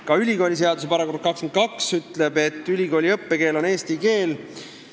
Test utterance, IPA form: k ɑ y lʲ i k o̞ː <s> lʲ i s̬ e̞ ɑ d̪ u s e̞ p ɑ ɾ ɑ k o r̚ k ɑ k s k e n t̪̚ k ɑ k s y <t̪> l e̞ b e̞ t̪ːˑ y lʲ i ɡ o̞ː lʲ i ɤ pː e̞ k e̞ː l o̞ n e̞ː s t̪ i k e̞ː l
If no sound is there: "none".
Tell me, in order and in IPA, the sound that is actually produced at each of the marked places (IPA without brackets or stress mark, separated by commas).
none, t̪